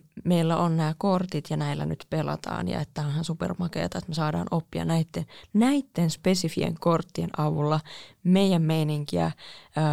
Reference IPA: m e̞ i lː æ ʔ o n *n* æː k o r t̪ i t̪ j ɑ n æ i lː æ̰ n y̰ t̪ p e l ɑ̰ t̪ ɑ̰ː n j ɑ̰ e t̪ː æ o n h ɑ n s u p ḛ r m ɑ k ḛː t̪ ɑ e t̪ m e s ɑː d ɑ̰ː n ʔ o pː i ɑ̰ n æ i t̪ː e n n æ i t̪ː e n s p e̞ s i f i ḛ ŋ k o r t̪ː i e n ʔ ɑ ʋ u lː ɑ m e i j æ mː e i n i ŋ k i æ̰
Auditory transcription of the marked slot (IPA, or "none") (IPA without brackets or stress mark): n